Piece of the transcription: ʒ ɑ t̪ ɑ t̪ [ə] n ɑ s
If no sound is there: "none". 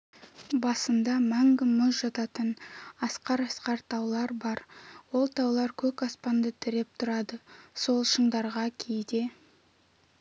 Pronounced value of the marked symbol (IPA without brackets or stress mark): ə